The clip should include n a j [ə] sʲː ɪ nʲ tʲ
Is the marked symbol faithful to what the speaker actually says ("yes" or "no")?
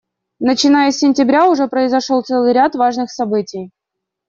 yes